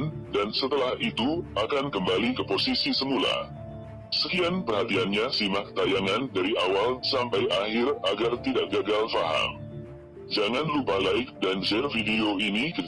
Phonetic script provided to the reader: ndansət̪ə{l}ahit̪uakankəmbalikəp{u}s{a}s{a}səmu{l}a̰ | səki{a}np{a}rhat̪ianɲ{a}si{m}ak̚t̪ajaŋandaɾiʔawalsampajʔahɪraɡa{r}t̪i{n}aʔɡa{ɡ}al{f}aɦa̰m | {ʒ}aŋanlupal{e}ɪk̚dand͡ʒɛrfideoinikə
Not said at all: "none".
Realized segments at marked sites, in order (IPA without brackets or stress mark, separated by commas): l, o, i, i, l, a, ə, a, m, r, d, ɡ, f, d͡ʒ, a